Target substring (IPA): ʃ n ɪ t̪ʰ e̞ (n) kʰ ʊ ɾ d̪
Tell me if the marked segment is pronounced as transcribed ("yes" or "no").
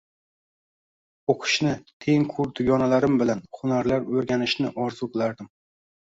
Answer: no